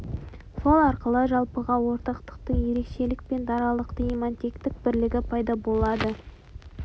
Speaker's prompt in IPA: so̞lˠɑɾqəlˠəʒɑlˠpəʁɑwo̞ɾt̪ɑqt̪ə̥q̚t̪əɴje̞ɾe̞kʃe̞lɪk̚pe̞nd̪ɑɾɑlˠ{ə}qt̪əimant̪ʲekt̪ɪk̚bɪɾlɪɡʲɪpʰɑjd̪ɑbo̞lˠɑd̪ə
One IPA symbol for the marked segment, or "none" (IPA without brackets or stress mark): ə